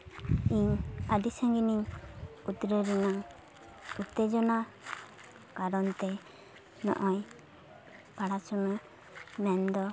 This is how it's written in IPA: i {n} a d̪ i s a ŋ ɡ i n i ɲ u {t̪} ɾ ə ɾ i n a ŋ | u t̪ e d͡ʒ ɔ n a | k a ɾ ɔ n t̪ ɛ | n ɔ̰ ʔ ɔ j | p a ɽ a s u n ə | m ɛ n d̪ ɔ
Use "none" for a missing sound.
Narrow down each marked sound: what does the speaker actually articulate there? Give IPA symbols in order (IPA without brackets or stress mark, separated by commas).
ɲ, t̪